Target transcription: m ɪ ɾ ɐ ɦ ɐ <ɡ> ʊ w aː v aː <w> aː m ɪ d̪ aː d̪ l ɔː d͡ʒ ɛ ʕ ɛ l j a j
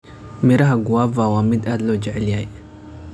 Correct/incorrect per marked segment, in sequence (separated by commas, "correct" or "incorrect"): correct, correct